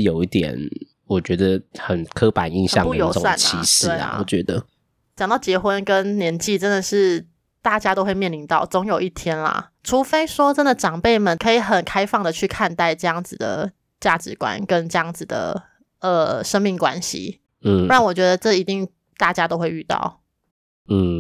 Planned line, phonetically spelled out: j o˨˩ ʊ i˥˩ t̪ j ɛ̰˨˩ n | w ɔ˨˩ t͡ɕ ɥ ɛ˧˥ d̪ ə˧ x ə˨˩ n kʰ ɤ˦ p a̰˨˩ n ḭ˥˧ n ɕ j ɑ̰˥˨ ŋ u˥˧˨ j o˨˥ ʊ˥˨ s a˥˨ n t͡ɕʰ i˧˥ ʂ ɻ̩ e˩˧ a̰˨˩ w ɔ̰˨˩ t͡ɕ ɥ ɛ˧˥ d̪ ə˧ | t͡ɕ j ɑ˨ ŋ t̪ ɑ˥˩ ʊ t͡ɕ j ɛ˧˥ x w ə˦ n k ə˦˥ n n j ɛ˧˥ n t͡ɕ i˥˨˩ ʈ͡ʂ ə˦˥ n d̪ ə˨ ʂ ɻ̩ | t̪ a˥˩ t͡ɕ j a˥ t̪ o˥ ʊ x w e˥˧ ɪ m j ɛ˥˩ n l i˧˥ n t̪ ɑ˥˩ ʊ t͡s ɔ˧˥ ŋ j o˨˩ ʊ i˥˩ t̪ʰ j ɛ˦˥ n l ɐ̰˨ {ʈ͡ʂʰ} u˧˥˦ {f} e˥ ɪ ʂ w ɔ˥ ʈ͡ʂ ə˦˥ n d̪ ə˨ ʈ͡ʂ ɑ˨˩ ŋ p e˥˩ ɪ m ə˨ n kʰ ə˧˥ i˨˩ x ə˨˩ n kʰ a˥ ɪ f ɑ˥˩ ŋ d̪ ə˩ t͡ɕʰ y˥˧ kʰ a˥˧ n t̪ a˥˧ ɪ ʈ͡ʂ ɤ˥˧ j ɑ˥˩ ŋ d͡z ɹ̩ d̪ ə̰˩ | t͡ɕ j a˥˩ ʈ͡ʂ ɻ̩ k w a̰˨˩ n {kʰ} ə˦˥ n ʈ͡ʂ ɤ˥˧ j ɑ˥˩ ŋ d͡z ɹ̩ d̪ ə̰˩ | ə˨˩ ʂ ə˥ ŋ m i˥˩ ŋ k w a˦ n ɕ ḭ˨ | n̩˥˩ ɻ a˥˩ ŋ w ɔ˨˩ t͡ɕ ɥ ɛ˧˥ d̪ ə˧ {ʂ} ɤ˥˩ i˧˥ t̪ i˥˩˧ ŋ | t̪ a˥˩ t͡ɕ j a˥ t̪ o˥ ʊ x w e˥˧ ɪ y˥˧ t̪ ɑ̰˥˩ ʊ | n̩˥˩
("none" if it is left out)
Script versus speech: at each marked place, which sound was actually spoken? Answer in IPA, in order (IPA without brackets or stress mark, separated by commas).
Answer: ʈ͡ʂʰ, f, k, ʈ͡ʂ